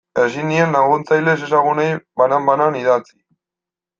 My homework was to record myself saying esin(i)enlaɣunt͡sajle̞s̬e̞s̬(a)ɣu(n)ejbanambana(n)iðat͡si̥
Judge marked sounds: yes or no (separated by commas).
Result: yes, yes, yes, yes